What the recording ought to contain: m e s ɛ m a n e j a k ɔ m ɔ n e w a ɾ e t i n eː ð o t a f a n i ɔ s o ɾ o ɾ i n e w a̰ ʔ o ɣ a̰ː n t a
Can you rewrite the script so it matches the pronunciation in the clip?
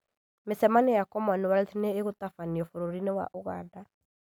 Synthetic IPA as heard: m e s ɛ m a n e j a k ɔ m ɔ n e w a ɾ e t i n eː ɣ o t a f a n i ɔ f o ɾ o ɾ i n e w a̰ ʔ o ɣ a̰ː n d a

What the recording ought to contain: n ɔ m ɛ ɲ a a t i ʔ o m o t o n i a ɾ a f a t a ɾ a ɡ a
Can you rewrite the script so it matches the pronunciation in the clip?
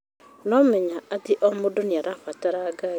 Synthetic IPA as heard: n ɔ m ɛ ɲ a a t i ʔ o m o d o n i a ɾ a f a t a ɾ a ɡ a

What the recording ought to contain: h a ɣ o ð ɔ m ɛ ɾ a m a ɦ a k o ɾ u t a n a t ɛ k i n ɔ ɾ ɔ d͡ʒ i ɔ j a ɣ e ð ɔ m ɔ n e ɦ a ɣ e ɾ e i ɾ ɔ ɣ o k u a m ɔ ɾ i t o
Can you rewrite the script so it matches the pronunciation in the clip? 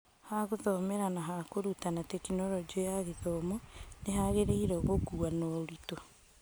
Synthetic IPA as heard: h a ɣ o ð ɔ m ɛ ɾ a n a ɦ a k o ɾ u t a n a t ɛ k i n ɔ ɾ ɔ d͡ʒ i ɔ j a ɣ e ð ɔ m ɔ n e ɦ a ɣ e ɾ e i ɾ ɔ ɣ o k u a n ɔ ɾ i t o

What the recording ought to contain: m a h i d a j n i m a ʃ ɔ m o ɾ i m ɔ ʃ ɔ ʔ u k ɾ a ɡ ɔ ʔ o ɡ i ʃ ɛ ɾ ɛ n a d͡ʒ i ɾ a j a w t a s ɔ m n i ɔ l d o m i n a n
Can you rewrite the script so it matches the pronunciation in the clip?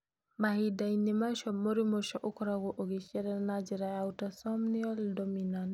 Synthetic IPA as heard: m a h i d a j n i m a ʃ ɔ m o ɾ i m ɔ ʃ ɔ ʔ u k ɾ a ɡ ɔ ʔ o ɡ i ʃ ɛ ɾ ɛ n a d͡ʒ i ɾ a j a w t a s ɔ m n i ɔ l d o m i n a n

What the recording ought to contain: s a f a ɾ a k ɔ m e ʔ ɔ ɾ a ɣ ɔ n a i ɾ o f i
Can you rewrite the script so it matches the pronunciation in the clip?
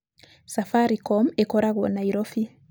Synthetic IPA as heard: s a f a ɾ i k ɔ m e k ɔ ɾ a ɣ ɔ n a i ɾ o f i

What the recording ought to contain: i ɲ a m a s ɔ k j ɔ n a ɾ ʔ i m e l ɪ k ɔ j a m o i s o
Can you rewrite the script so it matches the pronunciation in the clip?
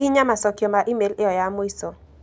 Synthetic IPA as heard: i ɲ a m a s ɔ k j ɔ m a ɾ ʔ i m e l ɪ ɔ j a m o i s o

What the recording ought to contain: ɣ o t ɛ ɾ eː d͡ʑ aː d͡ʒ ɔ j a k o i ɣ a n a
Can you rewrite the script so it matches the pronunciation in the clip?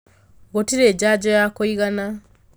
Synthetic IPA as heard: ɣ o t i ɾ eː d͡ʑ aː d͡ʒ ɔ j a k o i ɣ a n a

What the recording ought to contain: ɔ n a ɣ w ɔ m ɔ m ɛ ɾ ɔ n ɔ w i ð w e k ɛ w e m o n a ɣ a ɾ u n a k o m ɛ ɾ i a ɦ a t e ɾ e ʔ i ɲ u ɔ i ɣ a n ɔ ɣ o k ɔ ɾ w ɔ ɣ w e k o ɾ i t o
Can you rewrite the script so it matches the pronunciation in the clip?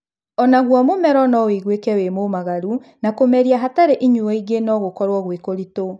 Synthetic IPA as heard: ɔ n a ɣ w ɔ m o m ɛ ɾ ɔ n ɔ w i ɣ w e k ɛ w e m o m a ɣ a ɾ u n a k o m ɛ ɾ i a ɦ a t a ɾ e ʔ i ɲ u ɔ i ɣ e n ɔ ɣ o k ɔ ɾ w ɔ ɣ w e k o ɾ i t o

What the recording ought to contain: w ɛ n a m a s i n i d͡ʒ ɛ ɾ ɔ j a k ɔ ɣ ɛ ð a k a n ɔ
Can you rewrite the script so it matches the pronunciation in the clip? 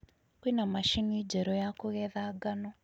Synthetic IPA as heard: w i n a m a ʃ i n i d͡ʒ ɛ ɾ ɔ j a k u ɣ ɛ ð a ɡ a n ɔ

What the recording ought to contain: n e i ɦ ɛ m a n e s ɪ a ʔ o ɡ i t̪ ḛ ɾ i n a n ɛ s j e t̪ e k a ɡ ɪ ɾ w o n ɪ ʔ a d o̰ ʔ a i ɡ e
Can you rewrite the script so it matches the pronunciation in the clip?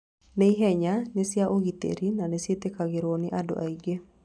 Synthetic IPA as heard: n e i ɦ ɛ ɲ a n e s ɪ a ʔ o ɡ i t̪ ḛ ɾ i n a n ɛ s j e t̪ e k a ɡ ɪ ɾ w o n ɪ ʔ a d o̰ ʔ a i ɡ e

